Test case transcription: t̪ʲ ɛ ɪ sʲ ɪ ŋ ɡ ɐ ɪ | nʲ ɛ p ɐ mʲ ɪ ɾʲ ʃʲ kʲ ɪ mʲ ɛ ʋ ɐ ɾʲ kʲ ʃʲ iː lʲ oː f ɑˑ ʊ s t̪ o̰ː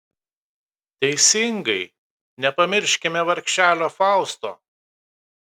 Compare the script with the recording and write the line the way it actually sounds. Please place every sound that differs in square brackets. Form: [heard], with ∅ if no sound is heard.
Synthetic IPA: t̪ʲ ɛ ɪ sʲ ɪ ŋ ɡ ɐ ɪ | nʲ ɛ p ɐ mʲ ɪ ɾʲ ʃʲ kʲ ɪ mʲ ɛ ʋ ɐ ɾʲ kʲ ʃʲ [æː] lʲ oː f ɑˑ ʊ s t̪ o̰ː